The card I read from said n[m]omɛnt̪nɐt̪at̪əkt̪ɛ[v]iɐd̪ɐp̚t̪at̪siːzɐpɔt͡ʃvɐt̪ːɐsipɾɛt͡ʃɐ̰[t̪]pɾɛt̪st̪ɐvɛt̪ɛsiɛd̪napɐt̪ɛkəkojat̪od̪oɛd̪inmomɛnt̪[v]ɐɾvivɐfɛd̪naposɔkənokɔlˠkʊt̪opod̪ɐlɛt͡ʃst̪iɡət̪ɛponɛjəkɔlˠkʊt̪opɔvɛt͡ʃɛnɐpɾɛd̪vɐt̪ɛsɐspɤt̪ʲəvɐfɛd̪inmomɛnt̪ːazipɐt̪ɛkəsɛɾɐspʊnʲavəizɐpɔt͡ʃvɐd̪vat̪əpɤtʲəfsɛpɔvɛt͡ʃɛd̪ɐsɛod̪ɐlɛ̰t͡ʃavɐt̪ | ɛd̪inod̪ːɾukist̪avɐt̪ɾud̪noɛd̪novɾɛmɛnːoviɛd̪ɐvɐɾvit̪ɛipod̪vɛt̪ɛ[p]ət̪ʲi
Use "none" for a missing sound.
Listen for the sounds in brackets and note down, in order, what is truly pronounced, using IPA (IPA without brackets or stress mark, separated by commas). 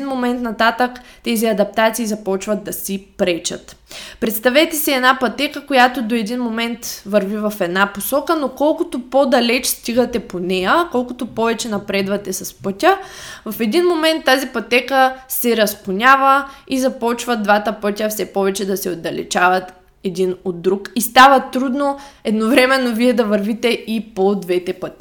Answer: m, z, t̪, v, p